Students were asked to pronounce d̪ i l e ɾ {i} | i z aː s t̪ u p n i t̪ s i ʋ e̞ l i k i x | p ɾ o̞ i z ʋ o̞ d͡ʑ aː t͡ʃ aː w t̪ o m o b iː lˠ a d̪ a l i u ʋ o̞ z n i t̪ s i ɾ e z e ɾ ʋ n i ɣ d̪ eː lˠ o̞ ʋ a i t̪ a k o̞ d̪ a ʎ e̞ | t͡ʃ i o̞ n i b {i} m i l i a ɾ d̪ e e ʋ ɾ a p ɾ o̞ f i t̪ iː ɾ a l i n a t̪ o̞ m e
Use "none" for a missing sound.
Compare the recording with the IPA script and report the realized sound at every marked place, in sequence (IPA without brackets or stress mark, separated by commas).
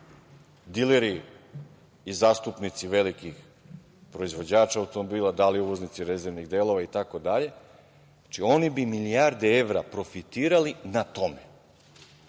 i, i